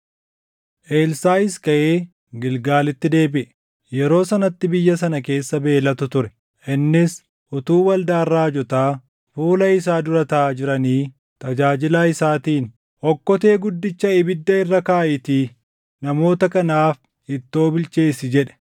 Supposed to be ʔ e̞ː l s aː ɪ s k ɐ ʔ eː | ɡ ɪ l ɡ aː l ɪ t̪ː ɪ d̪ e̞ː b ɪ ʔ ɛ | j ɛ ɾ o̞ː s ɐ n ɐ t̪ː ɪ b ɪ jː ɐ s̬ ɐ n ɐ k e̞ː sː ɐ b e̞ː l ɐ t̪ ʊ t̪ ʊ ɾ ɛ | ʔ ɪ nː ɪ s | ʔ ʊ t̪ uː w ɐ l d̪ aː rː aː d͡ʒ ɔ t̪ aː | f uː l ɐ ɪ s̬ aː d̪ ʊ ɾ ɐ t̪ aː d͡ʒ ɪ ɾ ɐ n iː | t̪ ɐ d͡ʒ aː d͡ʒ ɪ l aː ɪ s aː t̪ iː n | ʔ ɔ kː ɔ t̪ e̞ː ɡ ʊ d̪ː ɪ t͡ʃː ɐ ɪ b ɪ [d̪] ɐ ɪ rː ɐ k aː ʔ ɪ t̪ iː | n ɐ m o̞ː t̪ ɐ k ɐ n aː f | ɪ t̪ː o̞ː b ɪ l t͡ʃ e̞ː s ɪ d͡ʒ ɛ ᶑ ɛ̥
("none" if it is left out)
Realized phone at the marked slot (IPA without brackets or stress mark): d̪ː